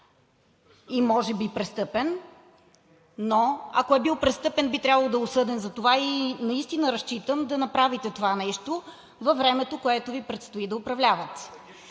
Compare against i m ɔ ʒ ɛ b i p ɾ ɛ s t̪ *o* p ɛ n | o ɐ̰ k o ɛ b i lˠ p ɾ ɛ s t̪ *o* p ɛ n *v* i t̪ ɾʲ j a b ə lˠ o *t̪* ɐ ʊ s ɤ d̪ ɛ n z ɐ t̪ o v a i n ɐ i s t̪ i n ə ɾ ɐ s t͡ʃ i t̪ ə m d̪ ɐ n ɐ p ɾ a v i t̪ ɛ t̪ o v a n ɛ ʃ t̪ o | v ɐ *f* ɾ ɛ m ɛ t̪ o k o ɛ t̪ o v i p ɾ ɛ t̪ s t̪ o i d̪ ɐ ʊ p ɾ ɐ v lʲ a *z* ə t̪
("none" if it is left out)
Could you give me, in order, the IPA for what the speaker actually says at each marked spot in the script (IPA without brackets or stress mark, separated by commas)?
ɤ, ɤ, b, d̪, v, v